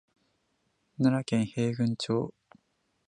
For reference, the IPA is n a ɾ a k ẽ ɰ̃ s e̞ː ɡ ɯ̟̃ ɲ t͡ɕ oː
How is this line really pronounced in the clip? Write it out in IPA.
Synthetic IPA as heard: n a ɾ a k ẽ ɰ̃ h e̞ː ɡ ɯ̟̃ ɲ t͡ɕ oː